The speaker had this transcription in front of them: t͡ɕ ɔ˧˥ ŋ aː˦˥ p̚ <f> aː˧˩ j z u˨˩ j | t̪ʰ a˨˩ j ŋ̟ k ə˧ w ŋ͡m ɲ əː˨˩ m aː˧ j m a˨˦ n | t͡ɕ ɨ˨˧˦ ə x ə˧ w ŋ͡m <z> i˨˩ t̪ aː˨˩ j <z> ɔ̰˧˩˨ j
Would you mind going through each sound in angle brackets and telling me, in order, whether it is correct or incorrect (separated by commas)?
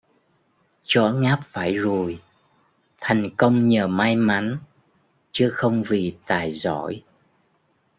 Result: correct, incorrect, correct